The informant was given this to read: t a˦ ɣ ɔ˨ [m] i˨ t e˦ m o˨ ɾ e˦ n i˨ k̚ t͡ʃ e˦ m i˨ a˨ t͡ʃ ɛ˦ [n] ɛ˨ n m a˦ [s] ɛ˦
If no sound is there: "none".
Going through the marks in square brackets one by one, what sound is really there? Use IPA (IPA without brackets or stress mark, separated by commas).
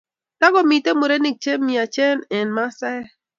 m, n, s